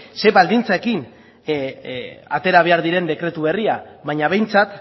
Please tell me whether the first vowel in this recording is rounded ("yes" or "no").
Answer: no